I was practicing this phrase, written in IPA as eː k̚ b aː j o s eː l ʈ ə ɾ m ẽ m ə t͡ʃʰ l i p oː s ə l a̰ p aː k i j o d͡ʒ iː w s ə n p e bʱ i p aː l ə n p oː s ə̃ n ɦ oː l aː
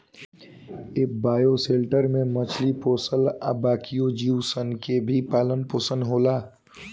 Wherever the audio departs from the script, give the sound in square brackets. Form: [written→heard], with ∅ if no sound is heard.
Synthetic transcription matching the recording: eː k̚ b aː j o s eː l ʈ ə ɾ m ẽ m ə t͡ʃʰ l i p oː s ə l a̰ [p→b] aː k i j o d͡ʒ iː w s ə n [p→k] e bʱ i p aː l ə n p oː s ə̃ n ɦ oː l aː